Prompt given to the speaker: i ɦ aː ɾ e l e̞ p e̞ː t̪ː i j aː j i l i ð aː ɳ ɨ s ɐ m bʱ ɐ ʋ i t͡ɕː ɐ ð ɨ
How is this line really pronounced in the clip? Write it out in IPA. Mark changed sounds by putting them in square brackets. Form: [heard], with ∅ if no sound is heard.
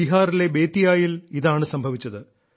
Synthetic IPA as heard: i ɦ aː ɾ [i] l e̞ [b] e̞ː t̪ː i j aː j i l i ð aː ɳ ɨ s ɐ m bʱ ɐ ʋ i t͡ɕː ɐ ð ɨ